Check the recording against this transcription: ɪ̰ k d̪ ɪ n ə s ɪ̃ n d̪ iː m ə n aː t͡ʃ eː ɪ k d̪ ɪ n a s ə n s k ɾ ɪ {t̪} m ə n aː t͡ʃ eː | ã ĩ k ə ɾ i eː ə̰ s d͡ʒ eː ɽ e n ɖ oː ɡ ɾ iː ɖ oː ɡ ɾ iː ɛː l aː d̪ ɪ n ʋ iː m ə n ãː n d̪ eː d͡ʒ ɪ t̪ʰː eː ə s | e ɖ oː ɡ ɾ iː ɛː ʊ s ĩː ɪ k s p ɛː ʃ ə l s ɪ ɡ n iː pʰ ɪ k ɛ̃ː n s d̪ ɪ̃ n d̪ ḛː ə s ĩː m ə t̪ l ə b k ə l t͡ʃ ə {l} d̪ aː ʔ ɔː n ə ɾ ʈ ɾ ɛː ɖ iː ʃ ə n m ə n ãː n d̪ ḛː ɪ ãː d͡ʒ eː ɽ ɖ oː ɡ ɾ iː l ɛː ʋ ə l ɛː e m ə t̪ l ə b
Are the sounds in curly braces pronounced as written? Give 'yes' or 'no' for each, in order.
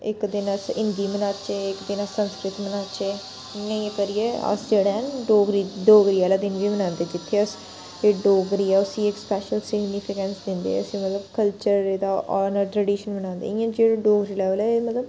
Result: yes, no

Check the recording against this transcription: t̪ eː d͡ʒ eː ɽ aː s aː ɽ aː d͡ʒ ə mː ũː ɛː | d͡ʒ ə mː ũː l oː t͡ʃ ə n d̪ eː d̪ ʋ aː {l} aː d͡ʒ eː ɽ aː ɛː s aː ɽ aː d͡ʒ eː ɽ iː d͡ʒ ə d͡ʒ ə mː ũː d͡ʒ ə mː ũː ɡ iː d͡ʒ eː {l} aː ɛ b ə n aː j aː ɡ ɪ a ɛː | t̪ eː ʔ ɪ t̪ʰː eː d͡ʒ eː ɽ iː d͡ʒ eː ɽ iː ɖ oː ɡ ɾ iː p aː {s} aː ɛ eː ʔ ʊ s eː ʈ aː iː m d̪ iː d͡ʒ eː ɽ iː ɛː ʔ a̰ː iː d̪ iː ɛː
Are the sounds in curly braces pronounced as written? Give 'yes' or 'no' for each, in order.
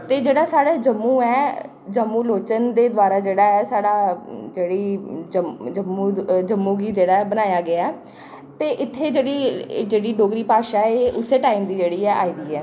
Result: no, no, no

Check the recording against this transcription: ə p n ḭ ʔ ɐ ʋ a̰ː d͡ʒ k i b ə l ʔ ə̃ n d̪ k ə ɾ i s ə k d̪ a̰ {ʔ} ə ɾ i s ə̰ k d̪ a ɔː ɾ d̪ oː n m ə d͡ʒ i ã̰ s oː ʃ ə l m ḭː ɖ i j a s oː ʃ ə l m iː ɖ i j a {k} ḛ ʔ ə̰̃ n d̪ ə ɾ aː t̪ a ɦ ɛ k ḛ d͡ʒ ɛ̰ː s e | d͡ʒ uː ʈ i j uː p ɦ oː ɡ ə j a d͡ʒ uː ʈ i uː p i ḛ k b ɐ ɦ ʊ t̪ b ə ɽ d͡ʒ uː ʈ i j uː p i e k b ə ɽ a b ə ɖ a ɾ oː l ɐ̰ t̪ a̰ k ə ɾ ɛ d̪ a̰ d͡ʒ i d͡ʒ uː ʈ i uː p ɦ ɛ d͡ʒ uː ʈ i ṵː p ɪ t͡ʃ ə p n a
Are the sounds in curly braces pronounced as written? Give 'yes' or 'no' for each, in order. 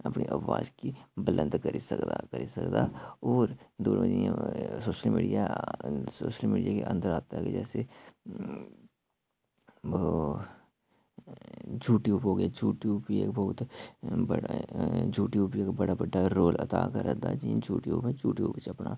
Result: no, yes

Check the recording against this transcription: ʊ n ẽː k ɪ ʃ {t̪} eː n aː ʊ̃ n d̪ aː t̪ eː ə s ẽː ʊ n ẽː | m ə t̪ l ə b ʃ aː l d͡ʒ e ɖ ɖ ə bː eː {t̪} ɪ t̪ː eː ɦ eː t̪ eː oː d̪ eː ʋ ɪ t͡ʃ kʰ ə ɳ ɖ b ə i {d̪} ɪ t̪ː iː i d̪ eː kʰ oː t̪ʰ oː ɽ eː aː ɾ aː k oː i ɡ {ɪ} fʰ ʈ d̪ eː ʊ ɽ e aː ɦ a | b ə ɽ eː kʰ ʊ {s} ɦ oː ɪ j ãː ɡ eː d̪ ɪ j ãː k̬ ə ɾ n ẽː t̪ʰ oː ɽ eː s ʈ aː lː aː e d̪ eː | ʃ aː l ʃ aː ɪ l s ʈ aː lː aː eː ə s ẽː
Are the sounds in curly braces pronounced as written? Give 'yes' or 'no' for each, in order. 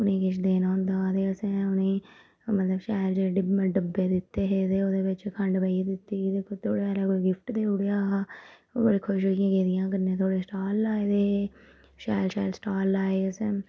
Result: no, no, yes, yes, no

